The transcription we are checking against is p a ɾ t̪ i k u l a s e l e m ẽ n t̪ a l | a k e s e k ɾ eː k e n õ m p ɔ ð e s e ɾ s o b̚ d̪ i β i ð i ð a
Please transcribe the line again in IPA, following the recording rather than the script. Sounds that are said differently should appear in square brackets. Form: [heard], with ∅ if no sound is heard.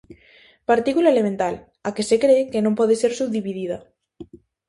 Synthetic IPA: p a ɾ t̪ i k u l a [∅] e l e m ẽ n t̪ a l | a k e s e k ɾ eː k e n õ m p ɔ ð e s e ɾ s [u] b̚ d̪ i β i ð i ð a